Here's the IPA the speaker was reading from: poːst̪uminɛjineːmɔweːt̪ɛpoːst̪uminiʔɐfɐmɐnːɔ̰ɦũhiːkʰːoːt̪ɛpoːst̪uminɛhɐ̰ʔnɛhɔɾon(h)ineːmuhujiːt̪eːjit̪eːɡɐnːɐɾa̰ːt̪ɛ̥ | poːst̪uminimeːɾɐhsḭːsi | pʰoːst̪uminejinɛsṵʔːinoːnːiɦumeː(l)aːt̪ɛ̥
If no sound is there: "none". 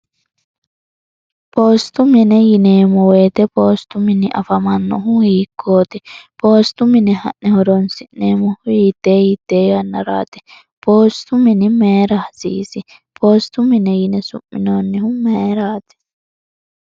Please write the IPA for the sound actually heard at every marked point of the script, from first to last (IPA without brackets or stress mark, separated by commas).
s, ɾ